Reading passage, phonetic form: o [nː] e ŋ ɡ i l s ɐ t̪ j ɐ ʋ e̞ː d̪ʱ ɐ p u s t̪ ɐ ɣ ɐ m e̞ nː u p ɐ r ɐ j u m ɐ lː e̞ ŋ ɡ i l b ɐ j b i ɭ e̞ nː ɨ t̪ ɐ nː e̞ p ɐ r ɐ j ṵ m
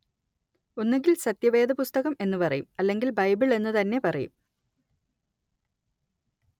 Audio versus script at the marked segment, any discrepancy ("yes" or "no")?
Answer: no